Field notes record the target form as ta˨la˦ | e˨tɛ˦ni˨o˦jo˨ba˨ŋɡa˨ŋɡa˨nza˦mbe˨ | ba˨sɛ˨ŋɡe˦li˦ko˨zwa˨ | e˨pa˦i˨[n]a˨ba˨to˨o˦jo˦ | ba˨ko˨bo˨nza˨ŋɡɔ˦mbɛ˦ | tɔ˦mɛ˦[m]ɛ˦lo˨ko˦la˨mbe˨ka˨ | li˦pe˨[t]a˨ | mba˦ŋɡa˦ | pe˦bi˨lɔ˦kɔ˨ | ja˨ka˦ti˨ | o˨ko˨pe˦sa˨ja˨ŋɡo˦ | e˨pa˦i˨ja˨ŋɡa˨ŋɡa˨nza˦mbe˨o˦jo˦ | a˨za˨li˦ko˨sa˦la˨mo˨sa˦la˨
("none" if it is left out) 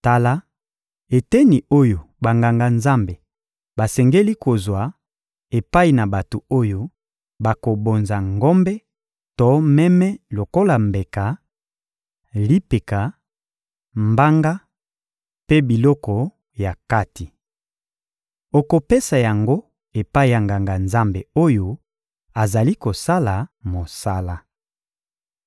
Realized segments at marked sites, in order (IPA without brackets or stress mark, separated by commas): n, m, k